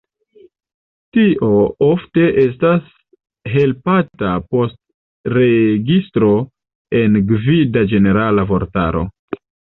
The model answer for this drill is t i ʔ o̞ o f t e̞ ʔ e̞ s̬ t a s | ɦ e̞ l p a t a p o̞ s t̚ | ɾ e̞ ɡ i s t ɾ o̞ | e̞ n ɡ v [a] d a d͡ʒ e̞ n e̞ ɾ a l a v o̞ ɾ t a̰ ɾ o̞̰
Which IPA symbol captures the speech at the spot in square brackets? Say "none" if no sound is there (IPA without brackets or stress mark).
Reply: i